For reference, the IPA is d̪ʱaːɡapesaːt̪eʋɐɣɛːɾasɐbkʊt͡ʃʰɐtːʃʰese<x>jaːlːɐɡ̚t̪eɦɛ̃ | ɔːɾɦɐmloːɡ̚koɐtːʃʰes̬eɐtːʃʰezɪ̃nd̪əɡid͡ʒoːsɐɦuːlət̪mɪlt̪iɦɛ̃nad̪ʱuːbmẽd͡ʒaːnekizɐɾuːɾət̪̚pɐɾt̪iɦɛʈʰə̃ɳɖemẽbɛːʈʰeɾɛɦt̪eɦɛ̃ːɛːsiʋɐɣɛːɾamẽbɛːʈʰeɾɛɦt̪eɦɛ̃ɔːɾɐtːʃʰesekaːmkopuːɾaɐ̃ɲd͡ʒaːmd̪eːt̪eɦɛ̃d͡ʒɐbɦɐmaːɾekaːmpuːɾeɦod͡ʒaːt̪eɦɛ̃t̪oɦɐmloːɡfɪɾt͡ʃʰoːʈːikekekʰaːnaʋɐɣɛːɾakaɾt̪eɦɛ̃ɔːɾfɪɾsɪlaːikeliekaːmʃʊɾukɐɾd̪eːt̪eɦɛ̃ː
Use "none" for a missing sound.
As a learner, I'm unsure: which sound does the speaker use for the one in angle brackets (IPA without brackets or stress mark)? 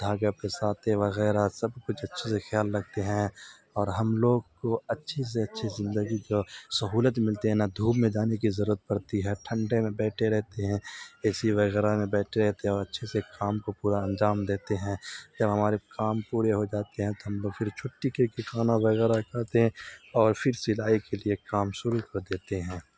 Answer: x